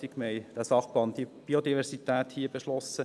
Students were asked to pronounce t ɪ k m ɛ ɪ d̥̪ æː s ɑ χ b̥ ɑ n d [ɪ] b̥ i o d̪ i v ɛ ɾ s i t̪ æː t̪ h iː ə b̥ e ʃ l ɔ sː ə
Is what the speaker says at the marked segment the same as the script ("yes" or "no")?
no